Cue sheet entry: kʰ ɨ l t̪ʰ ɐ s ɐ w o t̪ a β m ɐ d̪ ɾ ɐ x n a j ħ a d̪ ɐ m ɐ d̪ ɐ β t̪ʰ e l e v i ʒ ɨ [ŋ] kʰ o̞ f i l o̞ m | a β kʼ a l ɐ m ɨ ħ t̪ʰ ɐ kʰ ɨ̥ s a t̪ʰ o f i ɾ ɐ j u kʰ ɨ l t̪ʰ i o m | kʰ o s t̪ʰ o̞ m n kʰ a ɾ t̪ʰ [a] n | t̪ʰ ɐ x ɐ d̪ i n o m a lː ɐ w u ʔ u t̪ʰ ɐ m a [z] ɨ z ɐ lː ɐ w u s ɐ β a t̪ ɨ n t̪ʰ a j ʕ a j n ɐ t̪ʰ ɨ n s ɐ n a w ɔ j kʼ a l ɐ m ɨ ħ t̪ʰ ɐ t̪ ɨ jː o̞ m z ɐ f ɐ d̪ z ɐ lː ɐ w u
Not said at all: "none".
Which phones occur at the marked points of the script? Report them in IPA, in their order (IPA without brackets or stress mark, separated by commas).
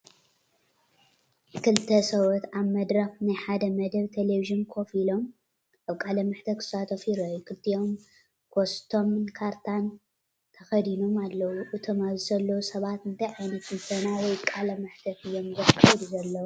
n, a, z